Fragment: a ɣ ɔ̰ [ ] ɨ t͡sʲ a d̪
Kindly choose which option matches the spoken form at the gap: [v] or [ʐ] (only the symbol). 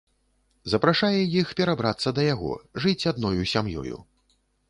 ʐ